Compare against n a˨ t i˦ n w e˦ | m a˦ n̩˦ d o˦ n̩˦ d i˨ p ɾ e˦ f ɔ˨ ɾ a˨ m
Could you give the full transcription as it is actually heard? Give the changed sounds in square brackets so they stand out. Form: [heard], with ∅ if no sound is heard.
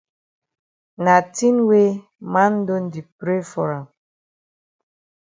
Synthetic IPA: n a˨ t i˦ n w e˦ | m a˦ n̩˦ d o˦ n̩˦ d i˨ p ɾ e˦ f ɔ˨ ɾ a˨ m